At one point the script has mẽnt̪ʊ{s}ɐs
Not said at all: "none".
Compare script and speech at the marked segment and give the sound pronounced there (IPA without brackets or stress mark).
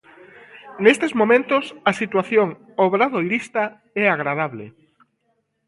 s